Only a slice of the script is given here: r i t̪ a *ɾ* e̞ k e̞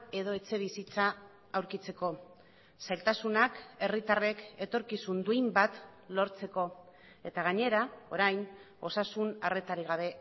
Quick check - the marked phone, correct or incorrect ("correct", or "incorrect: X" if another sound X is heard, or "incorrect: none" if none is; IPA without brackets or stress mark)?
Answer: incorrect: r